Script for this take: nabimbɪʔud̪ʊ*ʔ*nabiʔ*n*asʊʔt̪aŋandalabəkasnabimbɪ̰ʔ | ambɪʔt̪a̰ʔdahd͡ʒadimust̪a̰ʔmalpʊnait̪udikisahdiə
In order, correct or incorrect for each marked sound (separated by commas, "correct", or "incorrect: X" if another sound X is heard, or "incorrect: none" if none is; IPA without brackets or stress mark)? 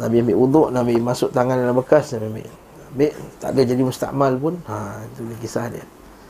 correct, incorrect: m